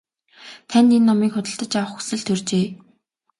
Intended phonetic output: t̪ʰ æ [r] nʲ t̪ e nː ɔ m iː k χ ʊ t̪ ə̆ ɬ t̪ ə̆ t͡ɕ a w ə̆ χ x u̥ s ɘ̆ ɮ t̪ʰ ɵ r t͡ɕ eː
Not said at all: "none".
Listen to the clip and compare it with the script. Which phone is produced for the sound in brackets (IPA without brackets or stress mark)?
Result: none